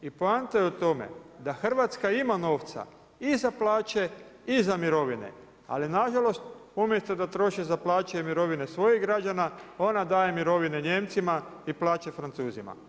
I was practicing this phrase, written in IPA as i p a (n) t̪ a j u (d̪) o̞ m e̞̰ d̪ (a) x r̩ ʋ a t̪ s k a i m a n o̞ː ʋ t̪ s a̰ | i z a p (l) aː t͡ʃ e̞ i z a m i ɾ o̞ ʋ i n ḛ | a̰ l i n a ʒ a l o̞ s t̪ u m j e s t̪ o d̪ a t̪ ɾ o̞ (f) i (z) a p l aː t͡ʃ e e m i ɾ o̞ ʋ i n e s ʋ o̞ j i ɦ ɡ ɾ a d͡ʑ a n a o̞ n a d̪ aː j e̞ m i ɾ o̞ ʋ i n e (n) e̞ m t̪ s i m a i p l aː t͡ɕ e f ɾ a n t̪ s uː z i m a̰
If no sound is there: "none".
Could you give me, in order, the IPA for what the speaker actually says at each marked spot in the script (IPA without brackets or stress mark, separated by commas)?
n, t̪, a, l, ʃ, z, ɲ